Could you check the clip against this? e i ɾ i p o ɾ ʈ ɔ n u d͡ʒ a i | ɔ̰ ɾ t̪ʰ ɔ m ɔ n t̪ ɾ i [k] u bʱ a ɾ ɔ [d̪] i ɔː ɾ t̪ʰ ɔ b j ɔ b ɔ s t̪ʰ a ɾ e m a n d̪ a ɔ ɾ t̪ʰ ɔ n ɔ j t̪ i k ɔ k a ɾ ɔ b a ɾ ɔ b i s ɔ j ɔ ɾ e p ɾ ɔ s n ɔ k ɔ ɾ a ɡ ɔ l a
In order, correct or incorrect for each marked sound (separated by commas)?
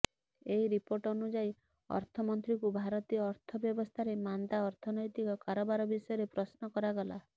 correct, incorrect